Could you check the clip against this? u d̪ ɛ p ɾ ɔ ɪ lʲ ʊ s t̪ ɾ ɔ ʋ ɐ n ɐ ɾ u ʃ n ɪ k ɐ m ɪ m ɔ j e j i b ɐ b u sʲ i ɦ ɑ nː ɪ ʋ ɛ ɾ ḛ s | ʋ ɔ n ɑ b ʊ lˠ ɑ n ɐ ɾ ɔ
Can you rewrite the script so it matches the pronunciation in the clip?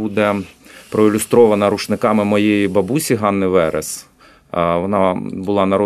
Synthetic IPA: u d̪ ɛ p ɾ ɔ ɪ lʲ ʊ s t̪ ɾ ɔ ʋ ɐ n ɐ ɾ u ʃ n ɪ k ɑ m ɪ m ɔ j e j i b ɐ b u sʲ i ɦ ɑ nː ɪ ʋ ɛ ɾ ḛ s | ʋ ɔ n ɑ b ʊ lˠ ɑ n ɐ ɾ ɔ